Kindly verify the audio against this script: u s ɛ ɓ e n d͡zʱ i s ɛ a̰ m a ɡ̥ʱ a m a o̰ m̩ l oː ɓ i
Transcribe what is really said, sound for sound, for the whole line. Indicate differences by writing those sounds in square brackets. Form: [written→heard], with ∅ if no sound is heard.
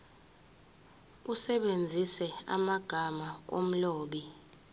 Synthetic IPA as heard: u s ɛ ɓ e n d͡zʱ i s ɛ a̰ m a ɡ̥ʱ a m a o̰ m̩ l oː ɓ i